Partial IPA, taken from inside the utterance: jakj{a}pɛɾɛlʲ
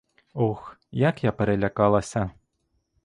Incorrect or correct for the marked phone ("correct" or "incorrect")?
correct